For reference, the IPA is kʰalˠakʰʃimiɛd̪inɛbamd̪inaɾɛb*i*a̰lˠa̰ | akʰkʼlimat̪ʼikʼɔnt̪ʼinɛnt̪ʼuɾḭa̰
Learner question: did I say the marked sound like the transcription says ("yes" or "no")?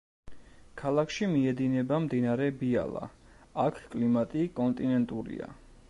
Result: yes